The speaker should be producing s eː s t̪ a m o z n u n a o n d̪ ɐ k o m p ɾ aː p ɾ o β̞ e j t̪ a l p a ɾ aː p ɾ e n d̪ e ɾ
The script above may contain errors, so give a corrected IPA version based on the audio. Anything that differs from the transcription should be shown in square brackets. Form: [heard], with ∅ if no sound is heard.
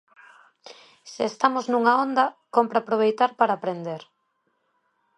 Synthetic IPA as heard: s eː s t̪ a m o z n u [ŋ] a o n d̪ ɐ k o m p ɾ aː p ɾ o β̞ e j t̪ a [ɾ] p a ɾ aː p ɾ e n d̪ e ɾ

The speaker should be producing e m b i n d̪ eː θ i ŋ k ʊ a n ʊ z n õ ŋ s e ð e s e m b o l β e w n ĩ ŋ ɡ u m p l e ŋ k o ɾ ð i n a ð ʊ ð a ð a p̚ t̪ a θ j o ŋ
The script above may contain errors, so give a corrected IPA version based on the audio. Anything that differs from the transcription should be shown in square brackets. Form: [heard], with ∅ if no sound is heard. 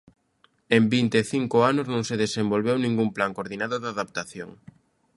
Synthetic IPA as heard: e m b i n [t̪] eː θ i ŋ k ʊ a n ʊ z n õ ŋ s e ð e s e m b o l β e w n ĩ ŋ ɡ u m p l [a] ŋ k o ɾ ð i n a ð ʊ ð a ð a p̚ t̪ a θ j o ŋ

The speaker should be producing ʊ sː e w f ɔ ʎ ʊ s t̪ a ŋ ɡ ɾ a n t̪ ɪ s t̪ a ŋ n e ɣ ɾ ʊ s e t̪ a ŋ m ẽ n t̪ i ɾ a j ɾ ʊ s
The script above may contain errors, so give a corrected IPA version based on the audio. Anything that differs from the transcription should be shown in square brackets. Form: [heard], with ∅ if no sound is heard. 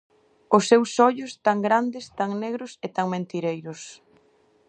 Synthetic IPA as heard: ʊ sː e w [s] ɔ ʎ ʊ s t̪ a ŋ ɡ ɾ a n [d̪] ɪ s t̪ a ŋ n e ɣ ɾ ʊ s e t̪ a ŋ m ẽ n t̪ i ɾ [e] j ɾ ʊ s

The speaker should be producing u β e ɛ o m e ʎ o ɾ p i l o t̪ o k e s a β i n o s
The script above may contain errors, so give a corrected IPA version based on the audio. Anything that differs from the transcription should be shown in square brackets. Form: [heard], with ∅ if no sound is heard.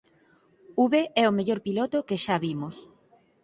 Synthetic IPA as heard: u β e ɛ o m e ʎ o ɾ p i l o t̪ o k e [ʃ] a β i [m] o s

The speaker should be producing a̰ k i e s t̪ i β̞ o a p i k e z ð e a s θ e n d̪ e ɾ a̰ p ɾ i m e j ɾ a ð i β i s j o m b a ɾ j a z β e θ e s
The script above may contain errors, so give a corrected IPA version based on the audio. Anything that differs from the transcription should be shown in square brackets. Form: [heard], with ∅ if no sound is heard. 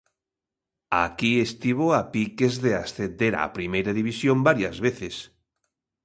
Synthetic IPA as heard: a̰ k i e s t̪ i β̞ o a p i k e z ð e a s θ e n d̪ e ɾ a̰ p ɾ i m e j ɾ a ð i β i s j o m b a ɾ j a z β e θ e s

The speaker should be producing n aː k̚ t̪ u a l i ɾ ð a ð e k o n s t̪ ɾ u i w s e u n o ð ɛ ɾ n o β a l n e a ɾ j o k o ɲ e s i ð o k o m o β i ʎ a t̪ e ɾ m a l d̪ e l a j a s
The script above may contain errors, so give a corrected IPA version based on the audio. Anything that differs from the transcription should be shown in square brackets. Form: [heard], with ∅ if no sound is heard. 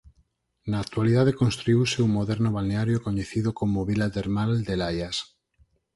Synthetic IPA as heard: n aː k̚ t̪ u a l i [∅] ð a ð e k o n s t̪ ɾ u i w s e u [m] o ð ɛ ɾ n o β a l n e a ɾ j o k o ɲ e [θ] i ð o k o m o β i [l] a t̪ e ɾ m a l d̪ e l a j a s

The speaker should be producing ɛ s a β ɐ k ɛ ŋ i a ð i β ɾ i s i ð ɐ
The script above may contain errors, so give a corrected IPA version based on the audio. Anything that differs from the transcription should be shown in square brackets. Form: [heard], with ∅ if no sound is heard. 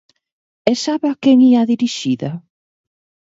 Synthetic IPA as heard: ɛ s a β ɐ k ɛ ŋ i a ð i [∅] ɾ i [ʃ] i ð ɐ

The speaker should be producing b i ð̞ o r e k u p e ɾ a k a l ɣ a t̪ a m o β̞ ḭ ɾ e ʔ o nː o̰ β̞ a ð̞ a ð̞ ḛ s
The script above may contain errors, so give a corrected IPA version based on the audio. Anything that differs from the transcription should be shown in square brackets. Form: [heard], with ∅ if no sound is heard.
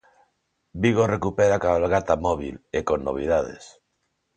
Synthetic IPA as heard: b i [ɣ̞] o r e k u p e ɾ a k a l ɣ a t̪ a m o β̞ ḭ [l] e [k] o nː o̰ β̞ [i] ð̞ a ð̞ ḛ s

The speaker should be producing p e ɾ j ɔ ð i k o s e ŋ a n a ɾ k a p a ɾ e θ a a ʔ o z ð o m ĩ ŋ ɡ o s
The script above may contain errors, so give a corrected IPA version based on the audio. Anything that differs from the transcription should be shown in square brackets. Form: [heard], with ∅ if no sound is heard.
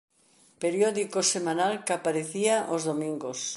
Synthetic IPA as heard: p e ɾ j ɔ ð i k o s e [m] a n a [l] k a p a ɾ e θ [i] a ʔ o z ð o m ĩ ŋ ɡ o s

